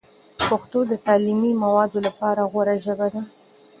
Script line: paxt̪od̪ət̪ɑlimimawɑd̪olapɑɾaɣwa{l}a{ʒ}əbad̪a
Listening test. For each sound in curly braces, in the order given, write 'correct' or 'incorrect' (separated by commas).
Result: incorrect, correct